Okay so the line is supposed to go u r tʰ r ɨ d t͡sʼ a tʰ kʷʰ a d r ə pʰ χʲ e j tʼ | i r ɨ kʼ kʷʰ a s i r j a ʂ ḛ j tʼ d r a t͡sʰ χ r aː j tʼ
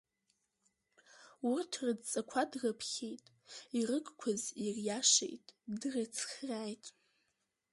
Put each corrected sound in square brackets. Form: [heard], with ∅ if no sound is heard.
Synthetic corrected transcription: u r tʰ r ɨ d t͡sʼ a [∅] kʷʰ a d r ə pʰ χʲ e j tʼ | i r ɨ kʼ kʷʰ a [z] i r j a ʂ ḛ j tʼ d r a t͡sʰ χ r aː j tʼ